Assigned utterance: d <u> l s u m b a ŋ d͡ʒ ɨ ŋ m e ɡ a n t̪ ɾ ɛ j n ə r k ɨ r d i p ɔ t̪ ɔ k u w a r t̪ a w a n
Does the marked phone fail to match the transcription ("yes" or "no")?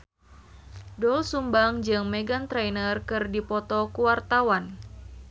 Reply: yes